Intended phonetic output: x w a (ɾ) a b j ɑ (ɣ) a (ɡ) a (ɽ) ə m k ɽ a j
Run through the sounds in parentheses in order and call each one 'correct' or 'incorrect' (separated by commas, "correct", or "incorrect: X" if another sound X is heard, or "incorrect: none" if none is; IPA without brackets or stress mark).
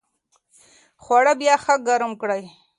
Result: incorrect: ɽ, incorrect: x, correct, incorrect: ɾ